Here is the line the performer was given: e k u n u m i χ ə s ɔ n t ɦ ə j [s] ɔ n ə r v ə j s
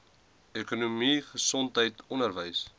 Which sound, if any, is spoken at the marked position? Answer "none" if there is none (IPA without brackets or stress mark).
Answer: t